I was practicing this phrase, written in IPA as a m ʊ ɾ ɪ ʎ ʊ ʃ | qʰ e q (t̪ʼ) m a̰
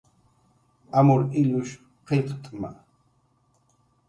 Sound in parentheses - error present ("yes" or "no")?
no